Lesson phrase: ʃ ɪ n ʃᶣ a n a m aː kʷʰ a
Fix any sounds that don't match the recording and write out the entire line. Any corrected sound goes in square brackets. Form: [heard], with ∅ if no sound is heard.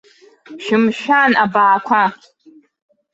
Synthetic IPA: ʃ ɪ [m] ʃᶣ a n a [b] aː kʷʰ a

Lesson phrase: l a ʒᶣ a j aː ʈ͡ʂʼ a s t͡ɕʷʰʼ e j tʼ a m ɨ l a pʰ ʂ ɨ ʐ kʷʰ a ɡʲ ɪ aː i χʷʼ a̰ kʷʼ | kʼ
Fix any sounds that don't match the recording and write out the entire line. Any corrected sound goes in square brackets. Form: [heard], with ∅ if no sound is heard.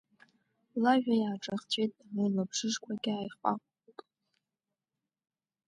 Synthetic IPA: l a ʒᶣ a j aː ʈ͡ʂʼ a [χ] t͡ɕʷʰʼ e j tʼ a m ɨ l a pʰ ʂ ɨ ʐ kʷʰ a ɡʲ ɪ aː [j] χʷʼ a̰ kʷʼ | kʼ

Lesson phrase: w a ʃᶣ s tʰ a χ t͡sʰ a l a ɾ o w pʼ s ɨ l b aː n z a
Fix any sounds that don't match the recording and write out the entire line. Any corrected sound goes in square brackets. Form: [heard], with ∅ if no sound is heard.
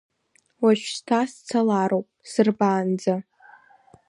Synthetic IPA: w a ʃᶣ s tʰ a [s] t͡sʰ a l a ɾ o w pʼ s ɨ [r] b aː n [d͡z] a

